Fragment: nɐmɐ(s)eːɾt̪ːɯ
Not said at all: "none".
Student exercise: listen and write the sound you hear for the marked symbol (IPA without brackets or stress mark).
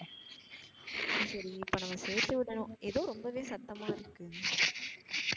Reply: s